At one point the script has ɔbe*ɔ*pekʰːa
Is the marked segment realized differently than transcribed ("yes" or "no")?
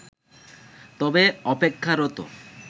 no